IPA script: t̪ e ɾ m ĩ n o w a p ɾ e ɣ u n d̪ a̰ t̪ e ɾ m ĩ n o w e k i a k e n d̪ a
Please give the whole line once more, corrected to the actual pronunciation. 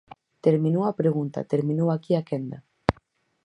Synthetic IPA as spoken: t̪ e ɾ m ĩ n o w a p ɾ e ɣ u n t̪ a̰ t̪ e ɾ m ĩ n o w a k i a k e n d̪ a